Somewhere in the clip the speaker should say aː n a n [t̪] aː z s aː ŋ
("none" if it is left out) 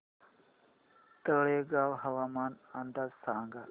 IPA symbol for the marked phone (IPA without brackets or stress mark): d̪